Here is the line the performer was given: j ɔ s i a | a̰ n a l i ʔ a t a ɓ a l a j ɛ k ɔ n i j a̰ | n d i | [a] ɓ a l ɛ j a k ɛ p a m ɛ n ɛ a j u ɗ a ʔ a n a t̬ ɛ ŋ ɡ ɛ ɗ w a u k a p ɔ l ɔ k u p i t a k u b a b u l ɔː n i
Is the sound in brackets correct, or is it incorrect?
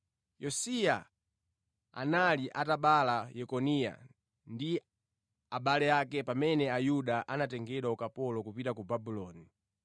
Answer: correct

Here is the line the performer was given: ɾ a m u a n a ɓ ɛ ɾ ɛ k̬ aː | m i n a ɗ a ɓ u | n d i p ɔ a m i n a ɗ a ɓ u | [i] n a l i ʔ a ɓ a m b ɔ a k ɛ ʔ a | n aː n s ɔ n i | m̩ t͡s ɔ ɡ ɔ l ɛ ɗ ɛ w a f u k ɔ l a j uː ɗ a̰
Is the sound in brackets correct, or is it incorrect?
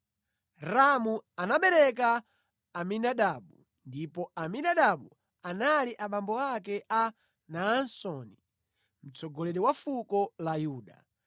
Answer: incorrect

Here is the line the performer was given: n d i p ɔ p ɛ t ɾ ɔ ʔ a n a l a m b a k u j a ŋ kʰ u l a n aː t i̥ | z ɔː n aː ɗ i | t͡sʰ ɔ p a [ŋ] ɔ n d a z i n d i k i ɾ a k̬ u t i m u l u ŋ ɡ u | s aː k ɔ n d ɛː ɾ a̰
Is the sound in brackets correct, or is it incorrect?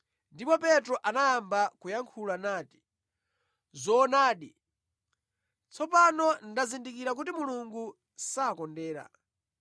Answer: incorrect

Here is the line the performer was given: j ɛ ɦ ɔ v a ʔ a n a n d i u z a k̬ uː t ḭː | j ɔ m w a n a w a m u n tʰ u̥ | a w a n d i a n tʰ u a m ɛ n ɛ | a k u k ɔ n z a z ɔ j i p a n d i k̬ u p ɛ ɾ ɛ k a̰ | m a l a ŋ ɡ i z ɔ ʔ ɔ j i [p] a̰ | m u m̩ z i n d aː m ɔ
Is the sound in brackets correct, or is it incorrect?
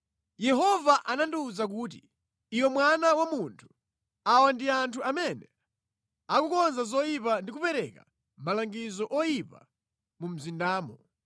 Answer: correct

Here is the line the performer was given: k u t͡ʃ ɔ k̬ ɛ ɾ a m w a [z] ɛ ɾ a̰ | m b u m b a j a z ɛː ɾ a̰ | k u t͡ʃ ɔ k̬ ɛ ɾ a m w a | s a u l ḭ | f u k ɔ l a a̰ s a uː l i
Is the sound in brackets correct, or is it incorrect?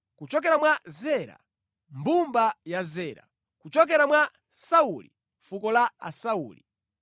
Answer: correct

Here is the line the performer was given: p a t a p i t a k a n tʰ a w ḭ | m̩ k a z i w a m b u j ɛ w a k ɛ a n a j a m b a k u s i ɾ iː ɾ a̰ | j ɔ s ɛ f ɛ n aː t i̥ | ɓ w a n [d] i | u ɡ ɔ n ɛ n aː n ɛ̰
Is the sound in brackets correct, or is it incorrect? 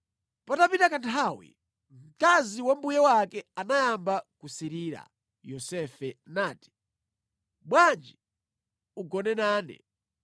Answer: incorrect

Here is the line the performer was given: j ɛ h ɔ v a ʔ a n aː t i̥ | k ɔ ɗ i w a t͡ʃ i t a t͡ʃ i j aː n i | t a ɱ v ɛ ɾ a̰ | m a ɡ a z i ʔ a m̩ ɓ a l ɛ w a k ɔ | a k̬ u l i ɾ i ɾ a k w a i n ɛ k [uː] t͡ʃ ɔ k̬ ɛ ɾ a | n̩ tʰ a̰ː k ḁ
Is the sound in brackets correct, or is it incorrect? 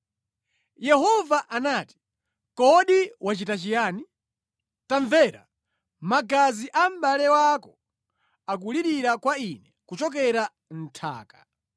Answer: incorrect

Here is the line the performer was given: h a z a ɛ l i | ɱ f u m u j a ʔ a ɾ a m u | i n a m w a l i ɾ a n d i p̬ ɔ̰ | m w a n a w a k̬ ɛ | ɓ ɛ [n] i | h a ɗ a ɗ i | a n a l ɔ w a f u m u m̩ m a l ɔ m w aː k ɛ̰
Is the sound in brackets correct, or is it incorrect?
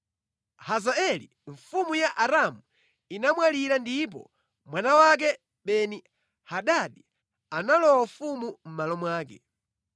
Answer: correct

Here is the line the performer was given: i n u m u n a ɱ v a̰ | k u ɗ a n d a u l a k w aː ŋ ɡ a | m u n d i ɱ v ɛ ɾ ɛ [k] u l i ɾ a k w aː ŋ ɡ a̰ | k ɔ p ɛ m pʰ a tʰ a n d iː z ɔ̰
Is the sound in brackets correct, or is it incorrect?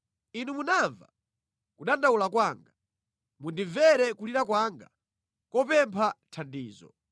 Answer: correct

